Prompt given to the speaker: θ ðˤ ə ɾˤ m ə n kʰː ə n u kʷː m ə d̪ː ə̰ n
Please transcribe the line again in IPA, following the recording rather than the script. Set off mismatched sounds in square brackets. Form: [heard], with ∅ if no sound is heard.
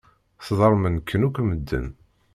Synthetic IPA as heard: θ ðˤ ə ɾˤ m ə n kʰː ə n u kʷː m ə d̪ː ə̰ n